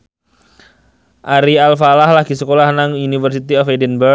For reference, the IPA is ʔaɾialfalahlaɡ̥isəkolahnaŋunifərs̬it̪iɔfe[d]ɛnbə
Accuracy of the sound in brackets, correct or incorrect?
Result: correct